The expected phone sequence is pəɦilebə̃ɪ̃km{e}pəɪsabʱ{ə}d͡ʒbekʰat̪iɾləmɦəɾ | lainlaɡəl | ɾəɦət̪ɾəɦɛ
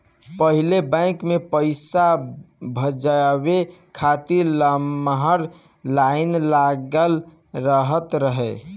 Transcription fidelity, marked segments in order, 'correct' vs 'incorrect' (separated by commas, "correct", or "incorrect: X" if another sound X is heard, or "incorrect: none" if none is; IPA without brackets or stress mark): correct, correct